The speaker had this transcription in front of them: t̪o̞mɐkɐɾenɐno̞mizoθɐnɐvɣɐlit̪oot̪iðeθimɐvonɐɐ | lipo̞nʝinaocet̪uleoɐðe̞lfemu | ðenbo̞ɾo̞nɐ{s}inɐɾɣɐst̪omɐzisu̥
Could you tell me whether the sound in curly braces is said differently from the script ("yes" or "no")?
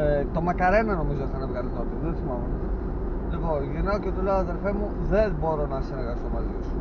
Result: no